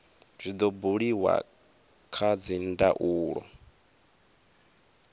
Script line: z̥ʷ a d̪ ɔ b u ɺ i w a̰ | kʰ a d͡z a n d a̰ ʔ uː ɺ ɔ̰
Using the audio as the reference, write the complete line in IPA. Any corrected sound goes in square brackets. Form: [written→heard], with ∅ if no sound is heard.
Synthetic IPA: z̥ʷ [a→i] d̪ ɔ b u ɺ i w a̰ | kʰ a d͡z [a→i] n d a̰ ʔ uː ɺ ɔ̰

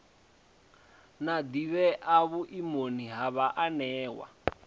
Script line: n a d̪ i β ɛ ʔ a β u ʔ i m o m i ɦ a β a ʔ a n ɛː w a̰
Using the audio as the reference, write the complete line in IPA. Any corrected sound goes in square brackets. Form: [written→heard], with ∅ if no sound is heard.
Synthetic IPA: n a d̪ i β ɛ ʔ a β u ʔ i m o [m→n] i ɦ a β a ʔ a n ɛː w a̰

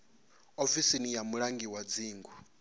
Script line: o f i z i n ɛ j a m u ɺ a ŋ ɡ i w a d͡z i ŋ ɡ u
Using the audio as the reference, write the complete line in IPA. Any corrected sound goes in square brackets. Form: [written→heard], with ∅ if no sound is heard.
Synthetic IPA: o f i [z→s] i n [ɛ→i] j a m u ɺ a ŋ ɡ i w a d͡z [i→iː] ŋ ɡ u

